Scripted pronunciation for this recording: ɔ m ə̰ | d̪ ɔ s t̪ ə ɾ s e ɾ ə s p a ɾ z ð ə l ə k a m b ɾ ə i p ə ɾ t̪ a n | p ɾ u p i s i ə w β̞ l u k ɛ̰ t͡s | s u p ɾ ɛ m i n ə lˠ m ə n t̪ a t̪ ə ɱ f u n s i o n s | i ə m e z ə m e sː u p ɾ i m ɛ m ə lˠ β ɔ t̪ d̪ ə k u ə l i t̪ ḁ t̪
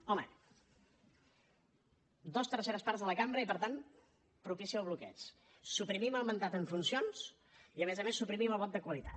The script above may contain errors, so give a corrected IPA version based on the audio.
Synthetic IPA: ɔ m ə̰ | d̪ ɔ s t̪ ə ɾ s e ɾ ə s p a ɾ z ð ə l ə k a m b ɾ ə i p ə ɾ t̪ a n | p ɾ u p i s i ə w β̞ l u k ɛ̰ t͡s | s u p ɾ i m i m ə lˠ m ə n t̪ a t̪ ə ɱ f u n s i o n s | i ə m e z ə m e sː u p ɾ i m i m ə lˠ β ɔ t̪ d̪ ə k w ə l i t̪ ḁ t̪